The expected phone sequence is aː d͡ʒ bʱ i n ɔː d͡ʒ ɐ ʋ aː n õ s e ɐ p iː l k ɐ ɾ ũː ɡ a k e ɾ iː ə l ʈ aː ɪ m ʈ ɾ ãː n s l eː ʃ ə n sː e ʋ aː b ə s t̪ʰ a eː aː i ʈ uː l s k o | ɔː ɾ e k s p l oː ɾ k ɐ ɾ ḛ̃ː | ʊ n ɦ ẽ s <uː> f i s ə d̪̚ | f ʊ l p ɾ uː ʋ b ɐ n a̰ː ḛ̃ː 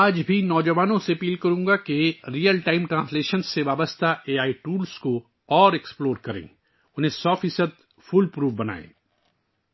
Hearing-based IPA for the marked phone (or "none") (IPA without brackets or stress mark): ɔː